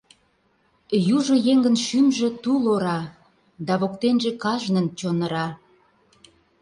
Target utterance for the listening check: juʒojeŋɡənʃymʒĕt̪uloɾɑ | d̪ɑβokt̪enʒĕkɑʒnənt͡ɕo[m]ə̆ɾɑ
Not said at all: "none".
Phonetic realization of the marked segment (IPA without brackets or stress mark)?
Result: n